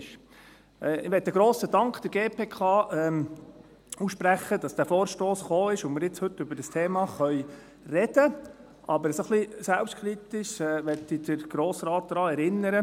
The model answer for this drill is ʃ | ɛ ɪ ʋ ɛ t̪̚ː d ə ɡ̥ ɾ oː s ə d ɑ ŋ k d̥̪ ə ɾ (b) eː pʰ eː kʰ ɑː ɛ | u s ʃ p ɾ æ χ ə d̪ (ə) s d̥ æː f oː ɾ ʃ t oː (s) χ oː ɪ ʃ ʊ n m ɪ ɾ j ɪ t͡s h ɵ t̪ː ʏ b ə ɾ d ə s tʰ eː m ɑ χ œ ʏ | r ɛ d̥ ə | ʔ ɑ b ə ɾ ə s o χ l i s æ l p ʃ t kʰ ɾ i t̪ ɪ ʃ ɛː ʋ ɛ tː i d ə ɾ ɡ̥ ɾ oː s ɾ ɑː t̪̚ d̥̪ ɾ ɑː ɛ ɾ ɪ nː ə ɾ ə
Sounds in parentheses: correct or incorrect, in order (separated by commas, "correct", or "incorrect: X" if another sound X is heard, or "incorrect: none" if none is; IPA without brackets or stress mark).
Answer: incorrect: ɡ, incorrect: ɑ, correct